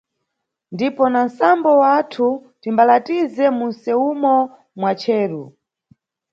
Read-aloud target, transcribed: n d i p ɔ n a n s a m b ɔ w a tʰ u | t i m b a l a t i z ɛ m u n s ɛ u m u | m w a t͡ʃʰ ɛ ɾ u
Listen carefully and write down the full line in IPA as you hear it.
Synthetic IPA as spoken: n d i p ɔ n a n s a m b ɔ w a tʰ u | t i m b a l a t i z ɛ m u n s ɛ u m ɔ | m w a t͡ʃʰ ɛː ɾ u